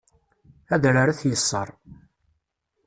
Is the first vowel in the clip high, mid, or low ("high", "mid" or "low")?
low